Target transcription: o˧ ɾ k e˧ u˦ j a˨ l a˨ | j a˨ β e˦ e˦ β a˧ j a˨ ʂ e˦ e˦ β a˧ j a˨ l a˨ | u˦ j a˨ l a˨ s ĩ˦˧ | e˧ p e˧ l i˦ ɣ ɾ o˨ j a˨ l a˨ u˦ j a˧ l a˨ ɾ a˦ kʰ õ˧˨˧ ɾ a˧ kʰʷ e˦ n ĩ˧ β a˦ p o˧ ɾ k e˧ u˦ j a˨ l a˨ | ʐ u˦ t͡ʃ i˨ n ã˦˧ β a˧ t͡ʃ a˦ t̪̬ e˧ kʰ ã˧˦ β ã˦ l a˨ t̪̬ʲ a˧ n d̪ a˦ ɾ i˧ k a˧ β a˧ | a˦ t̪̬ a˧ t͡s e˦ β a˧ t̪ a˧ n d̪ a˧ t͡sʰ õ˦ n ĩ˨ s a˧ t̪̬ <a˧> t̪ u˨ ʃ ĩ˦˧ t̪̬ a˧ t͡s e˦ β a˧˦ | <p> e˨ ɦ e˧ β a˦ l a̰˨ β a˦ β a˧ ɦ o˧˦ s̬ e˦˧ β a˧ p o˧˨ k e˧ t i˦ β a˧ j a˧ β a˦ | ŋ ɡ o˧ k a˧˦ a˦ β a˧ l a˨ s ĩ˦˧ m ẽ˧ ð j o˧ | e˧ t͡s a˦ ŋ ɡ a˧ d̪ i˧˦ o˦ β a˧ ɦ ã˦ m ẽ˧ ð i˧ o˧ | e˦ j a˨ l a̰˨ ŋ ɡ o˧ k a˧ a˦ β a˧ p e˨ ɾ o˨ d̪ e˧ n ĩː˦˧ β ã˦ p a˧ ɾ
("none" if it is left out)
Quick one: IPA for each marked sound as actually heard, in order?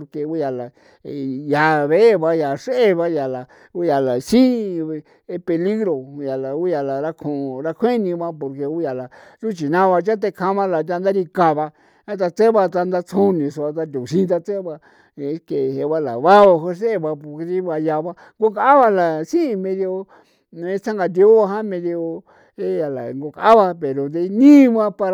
a˧, k

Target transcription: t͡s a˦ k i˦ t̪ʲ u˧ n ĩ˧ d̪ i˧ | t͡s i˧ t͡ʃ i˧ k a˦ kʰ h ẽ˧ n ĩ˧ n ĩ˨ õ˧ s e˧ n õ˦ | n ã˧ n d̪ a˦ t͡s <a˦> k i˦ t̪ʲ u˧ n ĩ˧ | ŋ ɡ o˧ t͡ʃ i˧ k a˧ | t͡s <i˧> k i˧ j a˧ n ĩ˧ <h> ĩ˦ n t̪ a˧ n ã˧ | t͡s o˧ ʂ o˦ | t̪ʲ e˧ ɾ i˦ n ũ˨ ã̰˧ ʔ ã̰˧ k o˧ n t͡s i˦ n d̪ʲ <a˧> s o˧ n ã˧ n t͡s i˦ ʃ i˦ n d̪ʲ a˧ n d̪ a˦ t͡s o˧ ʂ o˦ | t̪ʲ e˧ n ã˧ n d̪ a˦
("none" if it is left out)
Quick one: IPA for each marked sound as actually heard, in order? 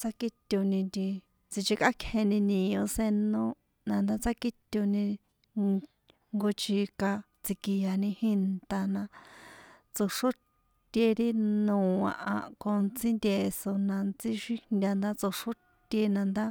a˦, i˧, h, e˧

